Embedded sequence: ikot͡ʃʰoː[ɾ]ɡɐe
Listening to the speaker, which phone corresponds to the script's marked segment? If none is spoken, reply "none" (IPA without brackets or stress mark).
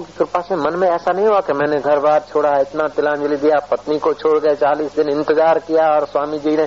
ɽ